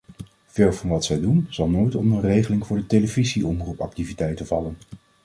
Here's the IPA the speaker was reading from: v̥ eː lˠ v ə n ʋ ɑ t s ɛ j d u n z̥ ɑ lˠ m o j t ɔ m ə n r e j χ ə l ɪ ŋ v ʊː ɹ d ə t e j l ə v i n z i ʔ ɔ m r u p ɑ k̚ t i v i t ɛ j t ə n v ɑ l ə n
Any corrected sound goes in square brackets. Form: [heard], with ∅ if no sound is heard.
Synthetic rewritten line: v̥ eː lˠ v [ɑ] n ʋ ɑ t s ɛ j d u n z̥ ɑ lˠ [n] o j t ɔ m ə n r e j χ ə l ɪ ŋ v ʊː ɹ d ə t e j l ə v i [∅] z i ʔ ɔ m r u p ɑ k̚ t i v i t ɛ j t ə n v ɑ l ə n